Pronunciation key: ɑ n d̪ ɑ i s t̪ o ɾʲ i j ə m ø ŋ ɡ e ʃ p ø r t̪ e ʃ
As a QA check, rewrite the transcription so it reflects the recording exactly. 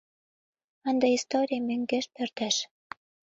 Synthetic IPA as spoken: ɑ n d̪ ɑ i s t̪ o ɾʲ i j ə m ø ŋ ɡ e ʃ p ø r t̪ æ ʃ